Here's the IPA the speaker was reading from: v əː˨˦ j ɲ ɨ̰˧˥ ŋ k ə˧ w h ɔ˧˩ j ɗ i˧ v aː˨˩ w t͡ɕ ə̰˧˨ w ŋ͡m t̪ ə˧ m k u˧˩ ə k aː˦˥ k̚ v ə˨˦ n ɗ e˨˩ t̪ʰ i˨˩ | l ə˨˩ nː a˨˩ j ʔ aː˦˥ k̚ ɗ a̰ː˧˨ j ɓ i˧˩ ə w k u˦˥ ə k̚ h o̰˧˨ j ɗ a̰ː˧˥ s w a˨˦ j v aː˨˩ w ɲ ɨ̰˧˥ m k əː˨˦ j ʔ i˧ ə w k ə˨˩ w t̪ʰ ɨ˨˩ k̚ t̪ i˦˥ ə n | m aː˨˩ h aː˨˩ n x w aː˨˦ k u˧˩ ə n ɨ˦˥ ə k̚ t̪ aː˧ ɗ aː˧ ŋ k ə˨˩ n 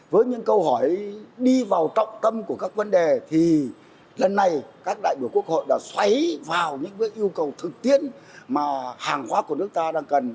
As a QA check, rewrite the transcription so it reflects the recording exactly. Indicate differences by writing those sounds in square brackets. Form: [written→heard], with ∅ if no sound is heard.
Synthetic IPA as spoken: v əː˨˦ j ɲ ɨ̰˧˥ ŋ k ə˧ w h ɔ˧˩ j ɗ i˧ v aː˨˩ w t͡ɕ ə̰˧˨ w ŋ͡m t̪ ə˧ m k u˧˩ ə k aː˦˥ k̚ v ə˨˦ n ɗ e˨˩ t̪ʰ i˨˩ | l ə˨˩ nː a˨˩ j [ʔ→k] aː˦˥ k̚ ɗ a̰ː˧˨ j ɓ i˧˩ ə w k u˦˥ ə k̚ h o̰˧˨ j ɗ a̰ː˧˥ s w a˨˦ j v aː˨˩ w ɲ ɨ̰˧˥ [m→ŋ] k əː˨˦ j ʔ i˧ ə w k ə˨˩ w t̪ʰ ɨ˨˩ k̚ t̪ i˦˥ ə n | m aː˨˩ h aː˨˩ [n→ŋ] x w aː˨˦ k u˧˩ ə n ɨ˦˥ ə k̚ t̪ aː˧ ɗ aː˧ ŋ k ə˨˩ n

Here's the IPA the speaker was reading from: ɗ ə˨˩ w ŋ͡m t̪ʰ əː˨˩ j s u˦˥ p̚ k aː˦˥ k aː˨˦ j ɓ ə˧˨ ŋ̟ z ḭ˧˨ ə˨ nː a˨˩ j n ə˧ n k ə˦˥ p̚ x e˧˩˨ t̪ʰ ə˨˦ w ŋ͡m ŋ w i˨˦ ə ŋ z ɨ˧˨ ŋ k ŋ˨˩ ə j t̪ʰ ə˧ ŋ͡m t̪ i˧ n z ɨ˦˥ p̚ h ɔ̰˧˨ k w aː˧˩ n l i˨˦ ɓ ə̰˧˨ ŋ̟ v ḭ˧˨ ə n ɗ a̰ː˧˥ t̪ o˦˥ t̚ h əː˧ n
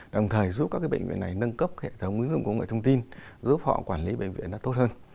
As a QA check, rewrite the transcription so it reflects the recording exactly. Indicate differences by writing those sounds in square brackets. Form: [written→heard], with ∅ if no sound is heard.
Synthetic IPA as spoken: ɗ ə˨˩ w ŋ͡m t̪ʰ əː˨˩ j [s→z] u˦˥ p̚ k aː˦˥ k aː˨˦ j ɓ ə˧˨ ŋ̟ [z→v] ḭ˧˨ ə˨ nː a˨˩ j n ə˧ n k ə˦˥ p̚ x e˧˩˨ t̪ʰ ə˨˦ w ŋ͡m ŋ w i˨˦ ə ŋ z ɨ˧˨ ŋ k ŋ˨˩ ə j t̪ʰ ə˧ ŋ͡m t̪ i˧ n z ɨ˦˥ p̚ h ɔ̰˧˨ k w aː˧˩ n l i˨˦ ɓ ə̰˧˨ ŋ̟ v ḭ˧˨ ə n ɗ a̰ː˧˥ t̪ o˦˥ t̚ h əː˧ n

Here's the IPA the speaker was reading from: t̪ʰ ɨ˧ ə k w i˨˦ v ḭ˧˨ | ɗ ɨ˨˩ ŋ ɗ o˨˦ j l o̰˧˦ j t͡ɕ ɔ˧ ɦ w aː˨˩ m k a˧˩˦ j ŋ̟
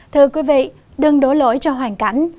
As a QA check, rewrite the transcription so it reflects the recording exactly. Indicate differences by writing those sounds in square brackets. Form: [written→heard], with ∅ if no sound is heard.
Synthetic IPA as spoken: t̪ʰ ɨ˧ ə k w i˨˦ v ḭ˧˨ | ɗ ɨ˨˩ ŋ ɗ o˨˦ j l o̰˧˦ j t͡ɕ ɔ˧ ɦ w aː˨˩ [m→ŋ] k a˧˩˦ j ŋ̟

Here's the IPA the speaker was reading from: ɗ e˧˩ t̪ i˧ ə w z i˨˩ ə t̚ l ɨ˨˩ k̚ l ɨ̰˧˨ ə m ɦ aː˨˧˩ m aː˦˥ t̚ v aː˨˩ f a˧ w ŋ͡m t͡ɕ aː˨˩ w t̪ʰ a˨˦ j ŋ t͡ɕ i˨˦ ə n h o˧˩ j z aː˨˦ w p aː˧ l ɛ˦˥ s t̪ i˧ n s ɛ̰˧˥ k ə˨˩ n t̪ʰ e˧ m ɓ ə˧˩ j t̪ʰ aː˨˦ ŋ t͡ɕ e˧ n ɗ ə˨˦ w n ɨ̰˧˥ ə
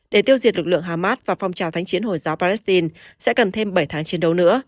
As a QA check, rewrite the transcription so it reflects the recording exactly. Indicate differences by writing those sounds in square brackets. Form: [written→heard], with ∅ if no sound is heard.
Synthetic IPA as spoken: ɗ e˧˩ t̪ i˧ ə w z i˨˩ ə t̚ l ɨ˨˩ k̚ l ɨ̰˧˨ ə [m→ŋ] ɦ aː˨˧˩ m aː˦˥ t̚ v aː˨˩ f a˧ w ŋ͡m t͡ɕ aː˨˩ w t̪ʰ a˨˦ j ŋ t͡ɕ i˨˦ ə n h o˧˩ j z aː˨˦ w p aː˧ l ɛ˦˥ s t̪ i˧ n s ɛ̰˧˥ k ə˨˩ n t̪ʰ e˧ m ɓ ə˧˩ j t̪ʰ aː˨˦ ŋ t͡ɕ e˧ n ɗ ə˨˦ w n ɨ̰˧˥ ə

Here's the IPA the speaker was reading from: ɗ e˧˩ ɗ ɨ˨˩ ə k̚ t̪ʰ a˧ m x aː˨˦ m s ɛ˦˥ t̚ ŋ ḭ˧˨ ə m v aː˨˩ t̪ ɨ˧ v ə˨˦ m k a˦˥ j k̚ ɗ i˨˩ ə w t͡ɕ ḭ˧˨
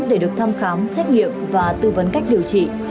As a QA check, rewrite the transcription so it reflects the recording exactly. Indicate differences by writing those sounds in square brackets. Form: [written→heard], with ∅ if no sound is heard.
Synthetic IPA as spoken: ɗ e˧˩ ɗ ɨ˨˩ ə k̚ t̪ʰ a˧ m x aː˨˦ m s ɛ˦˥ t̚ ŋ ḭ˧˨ ə m v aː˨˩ t̪ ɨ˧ v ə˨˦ [m→n] k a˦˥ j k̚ ɗ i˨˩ ə w t͡ɕ ḭ˧˨

